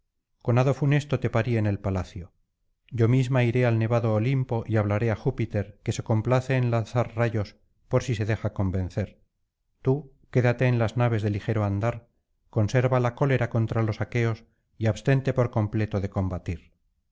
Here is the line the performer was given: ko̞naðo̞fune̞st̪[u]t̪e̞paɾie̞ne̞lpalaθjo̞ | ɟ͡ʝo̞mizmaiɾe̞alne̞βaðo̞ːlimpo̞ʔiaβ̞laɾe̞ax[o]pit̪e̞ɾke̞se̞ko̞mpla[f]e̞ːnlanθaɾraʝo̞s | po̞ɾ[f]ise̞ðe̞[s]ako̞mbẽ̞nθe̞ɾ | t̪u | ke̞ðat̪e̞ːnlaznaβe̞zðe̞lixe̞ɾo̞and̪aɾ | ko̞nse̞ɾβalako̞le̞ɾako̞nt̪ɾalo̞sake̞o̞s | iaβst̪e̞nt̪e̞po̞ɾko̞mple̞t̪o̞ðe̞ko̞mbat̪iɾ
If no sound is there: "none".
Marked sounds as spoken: o, u, θ, s, x

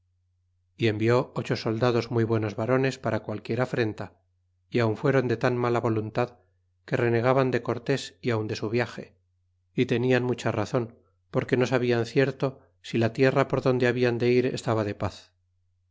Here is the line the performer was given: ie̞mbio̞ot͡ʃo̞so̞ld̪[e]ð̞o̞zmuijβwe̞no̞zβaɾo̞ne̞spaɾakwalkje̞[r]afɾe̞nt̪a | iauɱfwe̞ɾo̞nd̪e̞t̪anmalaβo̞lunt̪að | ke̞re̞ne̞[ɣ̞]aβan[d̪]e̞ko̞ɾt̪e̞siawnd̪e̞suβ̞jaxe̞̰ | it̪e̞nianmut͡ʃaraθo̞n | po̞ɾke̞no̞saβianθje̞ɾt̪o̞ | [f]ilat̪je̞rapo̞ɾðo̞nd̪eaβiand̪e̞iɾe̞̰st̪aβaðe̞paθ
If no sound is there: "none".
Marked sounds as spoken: a, ɾ, ɣ̞, d̪, s

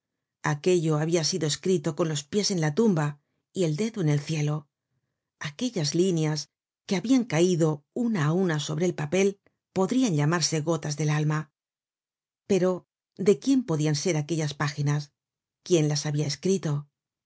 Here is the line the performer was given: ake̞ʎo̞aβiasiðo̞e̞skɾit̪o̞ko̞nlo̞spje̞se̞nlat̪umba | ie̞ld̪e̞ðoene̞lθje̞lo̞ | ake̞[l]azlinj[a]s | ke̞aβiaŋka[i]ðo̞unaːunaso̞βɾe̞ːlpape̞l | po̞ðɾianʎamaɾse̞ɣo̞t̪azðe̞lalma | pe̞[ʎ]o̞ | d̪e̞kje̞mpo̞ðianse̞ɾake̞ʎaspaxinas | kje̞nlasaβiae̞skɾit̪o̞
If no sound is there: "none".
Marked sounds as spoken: ʎ, a, i, ɾ

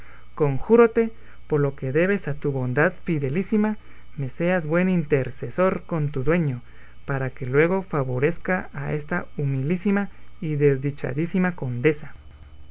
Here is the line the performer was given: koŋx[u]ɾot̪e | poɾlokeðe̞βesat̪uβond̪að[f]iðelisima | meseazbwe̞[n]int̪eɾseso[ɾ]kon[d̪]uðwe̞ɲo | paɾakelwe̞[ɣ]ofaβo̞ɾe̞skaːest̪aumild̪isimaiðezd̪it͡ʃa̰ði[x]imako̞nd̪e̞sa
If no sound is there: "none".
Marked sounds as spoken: u, f, n, ɾ, t̪, ɣ, s

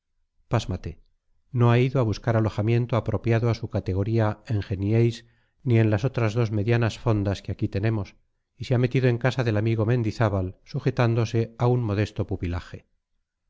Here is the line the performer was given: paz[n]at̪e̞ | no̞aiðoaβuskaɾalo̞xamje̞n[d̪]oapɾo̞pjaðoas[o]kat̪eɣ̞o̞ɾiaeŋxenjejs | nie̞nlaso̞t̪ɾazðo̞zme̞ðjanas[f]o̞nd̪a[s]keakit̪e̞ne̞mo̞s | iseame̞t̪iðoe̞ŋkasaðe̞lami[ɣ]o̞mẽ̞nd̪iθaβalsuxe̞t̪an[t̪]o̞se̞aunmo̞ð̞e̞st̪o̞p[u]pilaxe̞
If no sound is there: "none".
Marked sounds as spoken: m, t̪, u, f, s, ɣ, d̪, u

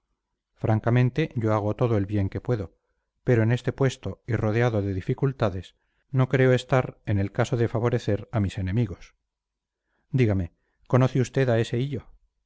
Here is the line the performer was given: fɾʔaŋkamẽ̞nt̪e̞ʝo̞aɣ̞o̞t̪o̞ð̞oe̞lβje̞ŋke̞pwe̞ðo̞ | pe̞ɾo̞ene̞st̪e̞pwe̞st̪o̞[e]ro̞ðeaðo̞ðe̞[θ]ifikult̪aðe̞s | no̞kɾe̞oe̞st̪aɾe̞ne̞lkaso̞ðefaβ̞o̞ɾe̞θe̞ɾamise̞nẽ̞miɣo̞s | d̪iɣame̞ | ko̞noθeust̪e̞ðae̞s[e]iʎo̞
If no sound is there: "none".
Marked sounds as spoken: i, ð, e

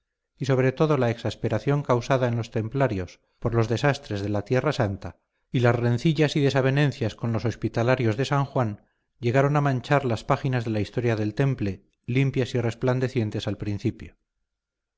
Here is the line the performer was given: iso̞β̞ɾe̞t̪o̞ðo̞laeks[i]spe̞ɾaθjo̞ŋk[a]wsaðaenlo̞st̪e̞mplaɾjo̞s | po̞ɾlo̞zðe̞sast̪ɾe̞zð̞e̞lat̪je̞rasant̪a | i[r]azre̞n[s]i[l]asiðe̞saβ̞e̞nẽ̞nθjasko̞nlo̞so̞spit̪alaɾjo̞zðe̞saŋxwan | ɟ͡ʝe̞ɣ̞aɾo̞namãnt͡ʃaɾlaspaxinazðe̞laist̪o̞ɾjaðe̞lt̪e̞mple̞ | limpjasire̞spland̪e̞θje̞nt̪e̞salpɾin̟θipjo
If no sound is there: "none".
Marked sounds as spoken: a, a, l, θ, ʎ

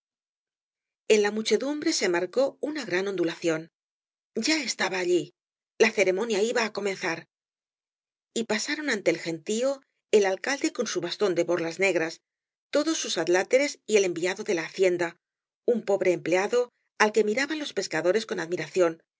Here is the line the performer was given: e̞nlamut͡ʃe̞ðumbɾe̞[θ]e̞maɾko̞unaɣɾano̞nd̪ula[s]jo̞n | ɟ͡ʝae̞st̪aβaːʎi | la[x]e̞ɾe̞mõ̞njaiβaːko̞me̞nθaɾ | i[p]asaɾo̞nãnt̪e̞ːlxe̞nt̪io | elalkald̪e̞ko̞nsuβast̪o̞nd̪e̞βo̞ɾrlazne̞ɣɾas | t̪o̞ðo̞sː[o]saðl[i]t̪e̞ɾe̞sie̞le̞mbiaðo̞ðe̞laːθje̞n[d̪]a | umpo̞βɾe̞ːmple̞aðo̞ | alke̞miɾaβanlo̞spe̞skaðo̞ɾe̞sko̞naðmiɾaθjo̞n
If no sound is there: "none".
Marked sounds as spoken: s, θ, θ, p, u, a, d̪

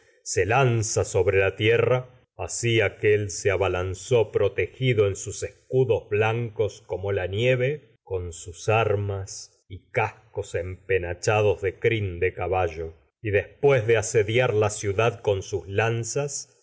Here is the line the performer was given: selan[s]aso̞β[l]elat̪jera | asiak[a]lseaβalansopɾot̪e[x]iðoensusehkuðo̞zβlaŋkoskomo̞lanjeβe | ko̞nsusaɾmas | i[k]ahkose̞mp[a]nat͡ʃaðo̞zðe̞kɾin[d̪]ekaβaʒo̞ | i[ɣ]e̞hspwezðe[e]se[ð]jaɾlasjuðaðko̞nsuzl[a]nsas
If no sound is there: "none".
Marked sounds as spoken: s, ɾ, e, x, k, e, d̪, ð, a, ð, a

